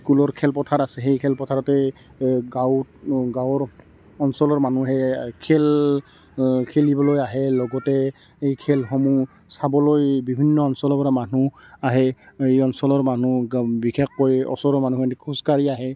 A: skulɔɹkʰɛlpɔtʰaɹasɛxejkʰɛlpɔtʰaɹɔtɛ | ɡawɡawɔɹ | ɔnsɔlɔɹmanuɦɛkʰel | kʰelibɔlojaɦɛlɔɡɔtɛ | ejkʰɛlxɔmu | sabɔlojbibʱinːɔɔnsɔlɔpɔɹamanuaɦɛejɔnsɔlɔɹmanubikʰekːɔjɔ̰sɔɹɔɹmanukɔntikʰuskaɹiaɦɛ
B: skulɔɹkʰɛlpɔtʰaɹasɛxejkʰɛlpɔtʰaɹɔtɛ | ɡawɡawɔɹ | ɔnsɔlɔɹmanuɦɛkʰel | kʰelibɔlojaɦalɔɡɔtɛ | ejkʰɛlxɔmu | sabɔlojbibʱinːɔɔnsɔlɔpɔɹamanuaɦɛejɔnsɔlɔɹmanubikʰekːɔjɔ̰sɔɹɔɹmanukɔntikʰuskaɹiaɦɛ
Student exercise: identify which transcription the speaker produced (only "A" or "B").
A